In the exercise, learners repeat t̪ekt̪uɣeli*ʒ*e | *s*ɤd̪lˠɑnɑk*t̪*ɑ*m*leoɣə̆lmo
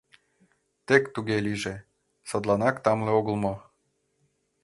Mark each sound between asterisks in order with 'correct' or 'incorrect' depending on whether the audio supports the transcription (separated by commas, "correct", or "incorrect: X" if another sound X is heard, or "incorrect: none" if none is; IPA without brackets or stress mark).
correct, correct, correct, correct